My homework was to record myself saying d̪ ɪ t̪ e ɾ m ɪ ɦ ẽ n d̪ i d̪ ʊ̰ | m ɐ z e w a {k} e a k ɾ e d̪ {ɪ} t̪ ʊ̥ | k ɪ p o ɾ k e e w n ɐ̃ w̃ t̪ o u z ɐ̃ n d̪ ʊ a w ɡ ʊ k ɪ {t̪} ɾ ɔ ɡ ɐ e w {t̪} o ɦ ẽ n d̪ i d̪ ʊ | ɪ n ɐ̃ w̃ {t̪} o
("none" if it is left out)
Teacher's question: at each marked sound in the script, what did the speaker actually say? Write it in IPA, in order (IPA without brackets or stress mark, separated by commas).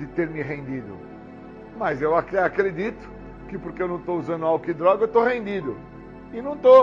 k, i, d̪, t̪, t̪